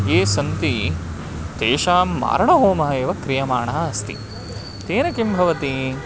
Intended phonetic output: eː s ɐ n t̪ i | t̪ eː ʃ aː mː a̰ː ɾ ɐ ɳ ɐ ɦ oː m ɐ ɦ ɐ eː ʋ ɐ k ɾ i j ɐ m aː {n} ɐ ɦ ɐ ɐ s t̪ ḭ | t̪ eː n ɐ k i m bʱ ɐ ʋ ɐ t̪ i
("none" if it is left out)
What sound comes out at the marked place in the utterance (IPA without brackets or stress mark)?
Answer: ɳ